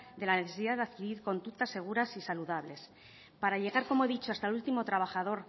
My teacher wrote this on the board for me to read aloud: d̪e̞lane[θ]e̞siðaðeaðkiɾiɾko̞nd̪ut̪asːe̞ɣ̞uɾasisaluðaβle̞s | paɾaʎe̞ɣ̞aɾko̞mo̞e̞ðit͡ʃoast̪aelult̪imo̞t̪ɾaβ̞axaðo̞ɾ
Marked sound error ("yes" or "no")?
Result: no